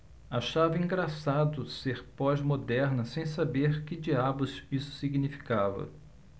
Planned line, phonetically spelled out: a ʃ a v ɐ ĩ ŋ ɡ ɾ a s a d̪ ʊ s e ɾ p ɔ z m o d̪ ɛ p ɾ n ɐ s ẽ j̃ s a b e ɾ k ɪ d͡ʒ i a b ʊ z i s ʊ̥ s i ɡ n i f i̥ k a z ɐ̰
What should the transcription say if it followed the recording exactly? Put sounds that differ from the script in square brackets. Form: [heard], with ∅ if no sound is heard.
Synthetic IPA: a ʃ a v ɐ ĩ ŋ ɡ ɾ a s a d̪ ʊ s e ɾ p ɔ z m o d̪ ɛ [∅] ɾ n ɐ s ẽ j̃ s a b e ɾ k ɪ d͡ʒ i a b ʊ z i s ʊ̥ s i ɡ n i f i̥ k a [v] ɐ̰